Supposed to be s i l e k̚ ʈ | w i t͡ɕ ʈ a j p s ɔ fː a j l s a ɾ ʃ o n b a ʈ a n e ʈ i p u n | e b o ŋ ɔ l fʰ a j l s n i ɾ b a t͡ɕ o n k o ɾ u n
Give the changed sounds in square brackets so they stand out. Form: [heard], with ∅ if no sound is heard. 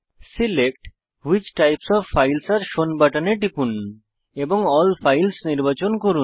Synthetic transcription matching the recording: s i l e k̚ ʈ | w i t͡ɕ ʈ a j p s ɔ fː a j l s a ɾ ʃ o n b a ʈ a n e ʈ i p u n | e b o ŋ ɔ l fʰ a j l s n i ɾ b a t͡ɕ o n k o ɾ u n